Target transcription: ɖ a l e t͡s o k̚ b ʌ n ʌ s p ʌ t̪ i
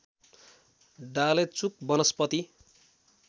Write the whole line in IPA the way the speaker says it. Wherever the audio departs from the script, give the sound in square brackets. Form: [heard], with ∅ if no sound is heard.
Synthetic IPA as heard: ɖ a l e t͡s [u] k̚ b ʌ n ʌ s p ʌ t̪ i